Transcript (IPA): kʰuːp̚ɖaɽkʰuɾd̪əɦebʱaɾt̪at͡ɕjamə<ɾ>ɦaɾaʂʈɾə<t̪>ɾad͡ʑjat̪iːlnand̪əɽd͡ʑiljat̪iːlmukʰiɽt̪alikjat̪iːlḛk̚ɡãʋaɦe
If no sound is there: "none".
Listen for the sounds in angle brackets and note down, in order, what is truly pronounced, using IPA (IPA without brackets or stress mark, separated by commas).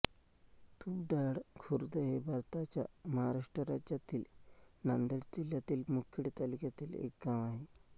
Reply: none, none